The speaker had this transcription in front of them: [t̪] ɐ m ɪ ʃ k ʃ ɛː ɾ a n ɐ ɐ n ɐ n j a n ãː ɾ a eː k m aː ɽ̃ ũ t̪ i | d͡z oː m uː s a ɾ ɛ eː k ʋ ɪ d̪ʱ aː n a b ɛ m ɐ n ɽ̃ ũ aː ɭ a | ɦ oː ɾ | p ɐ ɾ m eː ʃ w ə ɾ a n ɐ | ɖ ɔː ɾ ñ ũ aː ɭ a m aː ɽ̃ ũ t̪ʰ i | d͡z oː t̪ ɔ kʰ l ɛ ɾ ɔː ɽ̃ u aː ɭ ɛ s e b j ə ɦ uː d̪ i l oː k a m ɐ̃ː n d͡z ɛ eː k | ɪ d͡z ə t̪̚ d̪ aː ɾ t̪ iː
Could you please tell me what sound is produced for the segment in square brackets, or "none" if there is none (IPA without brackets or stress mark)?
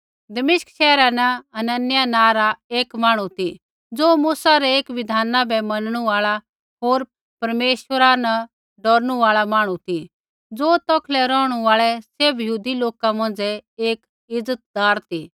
d̪